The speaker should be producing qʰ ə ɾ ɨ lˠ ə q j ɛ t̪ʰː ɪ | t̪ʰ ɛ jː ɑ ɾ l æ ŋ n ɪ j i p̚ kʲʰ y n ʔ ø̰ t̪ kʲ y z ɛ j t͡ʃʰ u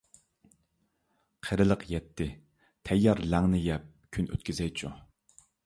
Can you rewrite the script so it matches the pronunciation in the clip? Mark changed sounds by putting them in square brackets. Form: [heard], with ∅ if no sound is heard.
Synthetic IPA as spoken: qʰ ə ɾ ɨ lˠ ə q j ɛ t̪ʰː ɪ | t̪ʰ ɛ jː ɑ ɾ l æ ŋ n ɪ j [ɛ] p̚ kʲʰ y n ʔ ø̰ t̪ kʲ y z ɛ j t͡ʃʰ u